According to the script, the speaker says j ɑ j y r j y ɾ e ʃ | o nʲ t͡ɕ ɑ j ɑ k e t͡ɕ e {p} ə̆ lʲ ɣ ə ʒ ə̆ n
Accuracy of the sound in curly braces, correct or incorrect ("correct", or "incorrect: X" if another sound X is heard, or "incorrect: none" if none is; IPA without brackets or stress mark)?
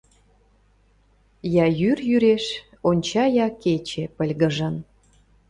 correct